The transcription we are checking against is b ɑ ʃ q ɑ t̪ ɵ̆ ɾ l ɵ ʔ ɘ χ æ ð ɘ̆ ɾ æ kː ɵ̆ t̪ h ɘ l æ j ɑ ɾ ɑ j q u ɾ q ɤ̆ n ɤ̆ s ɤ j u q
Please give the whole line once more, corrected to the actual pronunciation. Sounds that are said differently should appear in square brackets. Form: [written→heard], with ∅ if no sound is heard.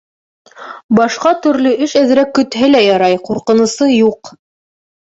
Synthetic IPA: b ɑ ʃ q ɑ t̪ ɵ̆ ɾ l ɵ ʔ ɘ [χ→ʃ] æ ð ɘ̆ ɾ æ kː ɵ̆ t̪ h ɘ l æ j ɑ ɾ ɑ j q u ɾ q ɤ̆ n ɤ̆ s ɤ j u q